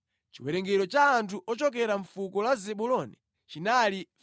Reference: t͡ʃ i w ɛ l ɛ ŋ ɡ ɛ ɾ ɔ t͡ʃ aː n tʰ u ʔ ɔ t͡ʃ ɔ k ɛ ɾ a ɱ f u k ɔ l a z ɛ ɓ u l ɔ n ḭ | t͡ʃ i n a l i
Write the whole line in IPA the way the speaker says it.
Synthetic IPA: t͡ʃ i w ɛ ɾ ɛ ŋ ɡ ɛ ɾ ɔ t͡ʃ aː n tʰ u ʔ ɔ t͡ʃ ɔ k ɛ ɾ a ɱ f u k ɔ l a z ɛ ɓ u l ɔ n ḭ | t͡ʃ i n a l i